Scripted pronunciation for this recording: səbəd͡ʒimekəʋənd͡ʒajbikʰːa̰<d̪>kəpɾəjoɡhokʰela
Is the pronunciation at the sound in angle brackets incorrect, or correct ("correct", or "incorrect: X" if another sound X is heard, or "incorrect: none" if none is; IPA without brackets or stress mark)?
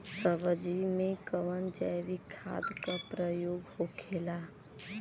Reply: correct